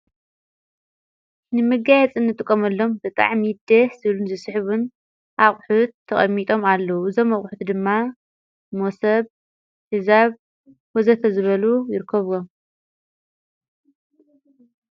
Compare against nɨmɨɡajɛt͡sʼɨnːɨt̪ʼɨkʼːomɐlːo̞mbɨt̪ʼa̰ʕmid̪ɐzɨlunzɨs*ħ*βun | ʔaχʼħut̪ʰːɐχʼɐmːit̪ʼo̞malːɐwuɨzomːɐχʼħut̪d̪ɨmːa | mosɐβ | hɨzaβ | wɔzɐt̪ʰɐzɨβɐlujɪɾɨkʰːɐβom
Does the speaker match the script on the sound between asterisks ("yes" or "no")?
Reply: yes